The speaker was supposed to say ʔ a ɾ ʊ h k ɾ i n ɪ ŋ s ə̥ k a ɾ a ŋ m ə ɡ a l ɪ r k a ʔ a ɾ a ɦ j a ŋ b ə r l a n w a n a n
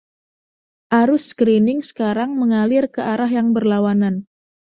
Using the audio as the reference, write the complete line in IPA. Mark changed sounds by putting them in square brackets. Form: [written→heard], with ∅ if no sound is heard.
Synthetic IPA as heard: ʔ a ɾ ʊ [h→s] k ɾ i n ɪ ŋ s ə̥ k a ɾ a ŋ m ə [ɡ→ŋ] a l ɪ r k [a→ə] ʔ a ɾ a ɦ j a ŋ b ə r l a [n→∅] w a n a n